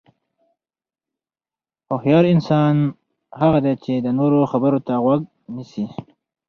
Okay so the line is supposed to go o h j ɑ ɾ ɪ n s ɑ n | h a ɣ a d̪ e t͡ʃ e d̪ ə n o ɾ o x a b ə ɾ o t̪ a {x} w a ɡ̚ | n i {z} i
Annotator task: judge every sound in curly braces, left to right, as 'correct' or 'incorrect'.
incorrect, incorrect

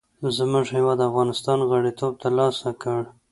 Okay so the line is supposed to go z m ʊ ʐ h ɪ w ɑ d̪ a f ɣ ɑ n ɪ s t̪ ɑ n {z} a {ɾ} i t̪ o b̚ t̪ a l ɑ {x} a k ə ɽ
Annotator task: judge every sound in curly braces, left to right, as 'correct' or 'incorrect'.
incorrect, incorrect, incorrect

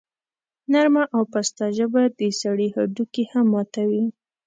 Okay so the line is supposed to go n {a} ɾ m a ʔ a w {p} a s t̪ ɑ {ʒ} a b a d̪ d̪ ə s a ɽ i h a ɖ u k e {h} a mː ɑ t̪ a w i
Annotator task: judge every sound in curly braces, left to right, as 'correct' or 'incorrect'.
correct, correct, correct, correct

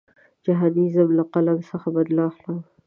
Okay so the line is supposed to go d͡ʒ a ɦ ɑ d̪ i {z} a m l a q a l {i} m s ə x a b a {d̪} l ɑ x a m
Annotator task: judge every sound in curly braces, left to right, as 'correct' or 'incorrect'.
correct, incorrect, correct

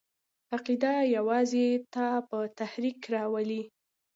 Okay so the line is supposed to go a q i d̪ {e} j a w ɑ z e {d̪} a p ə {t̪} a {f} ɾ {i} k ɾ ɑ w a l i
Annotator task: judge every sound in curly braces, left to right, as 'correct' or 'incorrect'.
incorrect, incorrect, correct, incorrect, correct

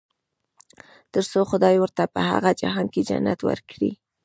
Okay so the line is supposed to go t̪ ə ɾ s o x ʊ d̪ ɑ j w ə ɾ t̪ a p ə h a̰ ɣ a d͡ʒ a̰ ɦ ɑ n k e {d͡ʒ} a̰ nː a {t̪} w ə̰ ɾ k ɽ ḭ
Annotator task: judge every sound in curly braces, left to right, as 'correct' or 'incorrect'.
correct, correct

